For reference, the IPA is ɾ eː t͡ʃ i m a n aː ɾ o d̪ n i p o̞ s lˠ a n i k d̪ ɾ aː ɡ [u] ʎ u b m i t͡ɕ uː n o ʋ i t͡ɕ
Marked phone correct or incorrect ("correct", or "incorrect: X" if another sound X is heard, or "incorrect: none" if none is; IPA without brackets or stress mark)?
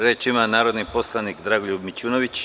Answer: incorrect: o